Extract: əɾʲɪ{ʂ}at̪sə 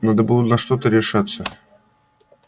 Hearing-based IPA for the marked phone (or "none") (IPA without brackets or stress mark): ʂ